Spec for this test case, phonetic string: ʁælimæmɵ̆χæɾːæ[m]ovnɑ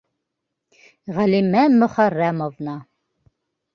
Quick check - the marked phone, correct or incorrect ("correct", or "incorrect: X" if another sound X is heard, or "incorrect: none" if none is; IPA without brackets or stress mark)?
correct